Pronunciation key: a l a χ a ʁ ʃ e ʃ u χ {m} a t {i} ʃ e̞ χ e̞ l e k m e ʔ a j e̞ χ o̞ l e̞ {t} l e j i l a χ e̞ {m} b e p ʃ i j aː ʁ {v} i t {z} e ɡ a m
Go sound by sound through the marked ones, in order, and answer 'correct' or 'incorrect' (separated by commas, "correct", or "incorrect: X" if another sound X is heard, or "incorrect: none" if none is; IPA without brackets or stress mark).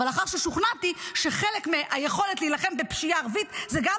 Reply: incorrect: n, correct, correct, correct, correct, correct